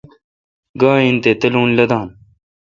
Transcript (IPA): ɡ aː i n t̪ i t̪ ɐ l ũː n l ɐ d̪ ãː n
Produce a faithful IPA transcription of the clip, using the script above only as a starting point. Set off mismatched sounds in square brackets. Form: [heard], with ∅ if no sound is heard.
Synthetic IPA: ɡ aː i n t̪ [e] t̪ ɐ l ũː n l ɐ d̪ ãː n